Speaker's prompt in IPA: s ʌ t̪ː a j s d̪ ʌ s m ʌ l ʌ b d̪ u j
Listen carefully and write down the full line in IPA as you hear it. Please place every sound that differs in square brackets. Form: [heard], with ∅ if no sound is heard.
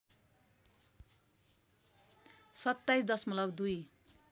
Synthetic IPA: s ʌ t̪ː a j s d̪ ʌ s m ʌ l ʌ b d̪ u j